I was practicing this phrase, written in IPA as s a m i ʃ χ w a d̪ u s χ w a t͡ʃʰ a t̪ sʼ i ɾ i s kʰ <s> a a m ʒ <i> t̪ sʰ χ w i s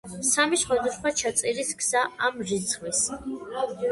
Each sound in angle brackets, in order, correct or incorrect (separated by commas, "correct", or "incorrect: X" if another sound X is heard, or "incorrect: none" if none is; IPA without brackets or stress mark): correct, correct